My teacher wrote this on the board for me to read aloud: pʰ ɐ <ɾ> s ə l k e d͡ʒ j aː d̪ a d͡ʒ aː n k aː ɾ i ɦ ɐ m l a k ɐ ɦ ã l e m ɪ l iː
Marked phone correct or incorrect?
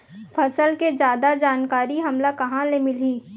incorrect